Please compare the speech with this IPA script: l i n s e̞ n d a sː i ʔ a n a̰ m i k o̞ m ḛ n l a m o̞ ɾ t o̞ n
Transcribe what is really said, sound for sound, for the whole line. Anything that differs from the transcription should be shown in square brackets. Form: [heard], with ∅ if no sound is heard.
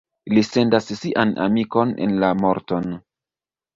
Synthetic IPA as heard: l i [∅] s e̞ n d a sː i ʔ a n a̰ m i k o̞ [n] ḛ n l a m o̞ ɾ t o̞ n